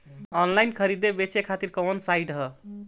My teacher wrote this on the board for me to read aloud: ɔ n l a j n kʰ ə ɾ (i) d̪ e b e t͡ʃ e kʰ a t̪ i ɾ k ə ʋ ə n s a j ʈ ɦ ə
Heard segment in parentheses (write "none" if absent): i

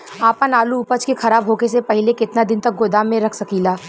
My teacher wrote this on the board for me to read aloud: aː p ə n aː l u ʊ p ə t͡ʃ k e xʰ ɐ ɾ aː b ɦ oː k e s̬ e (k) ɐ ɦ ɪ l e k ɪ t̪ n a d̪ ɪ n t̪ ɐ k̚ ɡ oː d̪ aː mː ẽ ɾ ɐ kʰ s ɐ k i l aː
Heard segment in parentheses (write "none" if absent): p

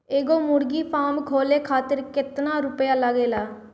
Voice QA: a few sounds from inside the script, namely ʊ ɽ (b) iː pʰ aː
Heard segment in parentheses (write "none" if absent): ɡ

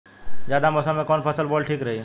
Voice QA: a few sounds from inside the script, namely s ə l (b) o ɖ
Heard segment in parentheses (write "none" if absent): b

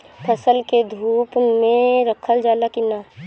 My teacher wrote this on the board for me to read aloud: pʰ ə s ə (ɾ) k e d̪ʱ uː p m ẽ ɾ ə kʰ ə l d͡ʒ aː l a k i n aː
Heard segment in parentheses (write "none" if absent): l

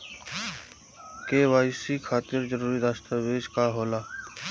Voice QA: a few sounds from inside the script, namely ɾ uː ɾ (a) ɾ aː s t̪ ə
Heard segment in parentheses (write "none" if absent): i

